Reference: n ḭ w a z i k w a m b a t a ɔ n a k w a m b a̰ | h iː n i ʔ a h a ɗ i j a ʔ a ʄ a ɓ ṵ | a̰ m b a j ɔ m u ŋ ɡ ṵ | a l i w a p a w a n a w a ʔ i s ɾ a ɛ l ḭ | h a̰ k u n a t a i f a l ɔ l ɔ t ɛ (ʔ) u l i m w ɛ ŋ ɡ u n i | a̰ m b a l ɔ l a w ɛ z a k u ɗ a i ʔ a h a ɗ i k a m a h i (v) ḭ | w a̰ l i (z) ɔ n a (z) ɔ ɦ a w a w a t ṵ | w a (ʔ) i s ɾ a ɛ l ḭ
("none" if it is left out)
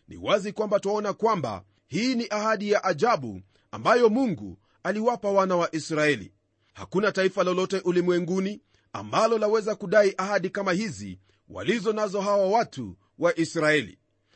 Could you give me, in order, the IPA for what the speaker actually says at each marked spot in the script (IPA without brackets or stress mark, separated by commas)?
ʔ, z, z, z, ʔ